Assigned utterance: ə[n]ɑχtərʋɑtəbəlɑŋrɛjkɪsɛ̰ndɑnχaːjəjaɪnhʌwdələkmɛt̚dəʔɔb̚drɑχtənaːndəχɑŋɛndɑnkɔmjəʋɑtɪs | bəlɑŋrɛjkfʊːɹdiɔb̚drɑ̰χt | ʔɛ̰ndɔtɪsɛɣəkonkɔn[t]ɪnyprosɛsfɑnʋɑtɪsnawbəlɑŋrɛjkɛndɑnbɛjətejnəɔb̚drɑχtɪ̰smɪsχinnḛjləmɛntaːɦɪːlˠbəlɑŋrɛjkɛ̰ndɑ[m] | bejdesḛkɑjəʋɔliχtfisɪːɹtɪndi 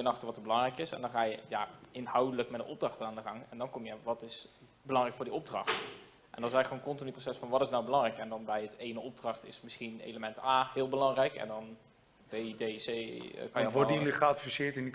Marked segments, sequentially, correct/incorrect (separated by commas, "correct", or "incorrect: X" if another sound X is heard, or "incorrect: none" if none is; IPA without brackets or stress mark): correct, correct, incorrect: n